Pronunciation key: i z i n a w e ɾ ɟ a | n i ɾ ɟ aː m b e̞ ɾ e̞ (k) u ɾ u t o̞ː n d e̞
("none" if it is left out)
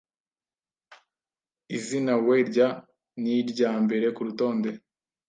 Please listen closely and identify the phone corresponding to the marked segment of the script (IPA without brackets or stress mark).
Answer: k